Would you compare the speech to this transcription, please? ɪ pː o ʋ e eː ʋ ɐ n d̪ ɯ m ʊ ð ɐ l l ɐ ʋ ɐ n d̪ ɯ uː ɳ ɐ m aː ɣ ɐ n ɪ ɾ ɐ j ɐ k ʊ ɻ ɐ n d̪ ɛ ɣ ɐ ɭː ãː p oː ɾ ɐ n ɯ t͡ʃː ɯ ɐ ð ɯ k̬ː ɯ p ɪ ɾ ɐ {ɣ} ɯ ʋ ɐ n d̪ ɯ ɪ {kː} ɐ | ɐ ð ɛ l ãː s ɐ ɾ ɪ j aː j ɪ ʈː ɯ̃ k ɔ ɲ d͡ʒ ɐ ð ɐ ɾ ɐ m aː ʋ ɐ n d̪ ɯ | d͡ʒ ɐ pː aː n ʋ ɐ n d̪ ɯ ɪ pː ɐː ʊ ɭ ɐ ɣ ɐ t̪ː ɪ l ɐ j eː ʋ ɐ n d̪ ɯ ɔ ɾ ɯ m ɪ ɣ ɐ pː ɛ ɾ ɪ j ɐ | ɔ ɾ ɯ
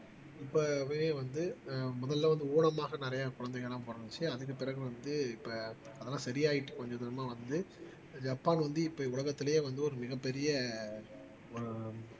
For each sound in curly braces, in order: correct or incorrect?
correct, incorrect: pː

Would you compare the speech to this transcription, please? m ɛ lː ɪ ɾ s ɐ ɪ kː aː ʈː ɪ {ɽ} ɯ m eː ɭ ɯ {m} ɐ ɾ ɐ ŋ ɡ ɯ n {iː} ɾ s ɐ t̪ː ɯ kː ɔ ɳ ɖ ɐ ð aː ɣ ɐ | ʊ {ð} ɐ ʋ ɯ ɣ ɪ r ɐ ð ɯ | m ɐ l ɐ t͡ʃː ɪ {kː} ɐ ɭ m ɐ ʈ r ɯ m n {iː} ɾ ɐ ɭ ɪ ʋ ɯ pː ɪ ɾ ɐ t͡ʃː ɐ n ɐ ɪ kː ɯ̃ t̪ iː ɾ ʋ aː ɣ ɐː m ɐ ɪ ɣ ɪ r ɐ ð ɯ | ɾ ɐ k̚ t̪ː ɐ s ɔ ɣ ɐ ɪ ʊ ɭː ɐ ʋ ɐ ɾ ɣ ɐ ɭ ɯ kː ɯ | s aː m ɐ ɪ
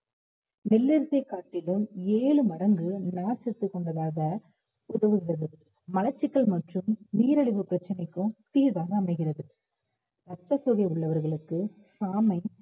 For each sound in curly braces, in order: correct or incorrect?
incorrect: l, correct, incorrect: aː, correct, correct, correct

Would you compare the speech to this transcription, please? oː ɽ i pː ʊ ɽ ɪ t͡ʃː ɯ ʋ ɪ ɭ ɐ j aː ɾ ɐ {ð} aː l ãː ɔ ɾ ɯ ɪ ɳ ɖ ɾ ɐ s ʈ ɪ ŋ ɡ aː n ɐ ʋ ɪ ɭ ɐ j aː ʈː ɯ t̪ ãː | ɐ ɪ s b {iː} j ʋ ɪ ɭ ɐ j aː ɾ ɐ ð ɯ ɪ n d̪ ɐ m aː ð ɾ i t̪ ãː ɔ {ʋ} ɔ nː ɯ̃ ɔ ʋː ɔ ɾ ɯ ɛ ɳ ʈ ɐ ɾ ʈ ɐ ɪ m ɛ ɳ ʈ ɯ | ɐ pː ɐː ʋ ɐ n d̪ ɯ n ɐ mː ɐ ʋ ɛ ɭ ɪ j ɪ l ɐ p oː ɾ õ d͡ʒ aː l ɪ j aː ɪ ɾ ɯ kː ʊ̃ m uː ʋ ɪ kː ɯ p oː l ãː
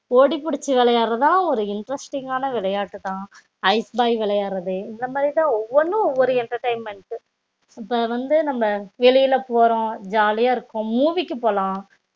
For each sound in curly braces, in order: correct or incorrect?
correct, incorrect: aː, incorrect: ʋː

